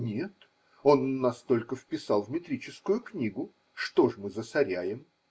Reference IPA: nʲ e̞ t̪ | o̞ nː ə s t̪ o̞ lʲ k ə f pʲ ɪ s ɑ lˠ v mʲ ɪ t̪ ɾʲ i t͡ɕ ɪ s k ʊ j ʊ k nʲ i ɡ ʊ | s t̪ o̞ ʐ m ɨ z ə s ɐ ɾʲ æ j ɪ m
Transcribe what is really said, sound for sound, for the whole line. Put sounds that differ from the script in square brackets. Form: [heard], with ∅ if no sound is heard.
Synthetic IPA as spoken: nʲ e̞ t̪ | o̞ nː [ɐ] s t̪ o̞ lʲ k ə f pʲ ɪ s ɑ lˠ v mʲ ɪ t̪ ɾʲ i t͡ɕ ɪ s k ʊ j ʊ k nʲ i ɡ ʊ | [ʂ] t̪ o̞ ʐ m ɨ z ə s ɐ ɾʲ æ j ɪ m